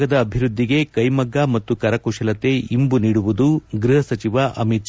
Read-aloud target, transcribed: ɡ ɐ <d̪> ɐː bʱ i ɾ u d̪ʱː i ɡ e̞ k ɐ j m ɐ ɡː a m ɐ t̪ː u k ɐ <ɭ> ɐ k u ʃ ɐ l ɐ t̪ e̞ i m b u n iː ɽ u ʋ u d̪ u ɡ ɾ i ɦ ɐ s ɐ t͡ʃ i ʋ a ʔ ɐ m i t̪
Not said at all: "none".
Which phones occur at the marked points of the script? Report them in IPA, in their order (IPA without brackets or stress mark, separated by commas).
d̪, ɾ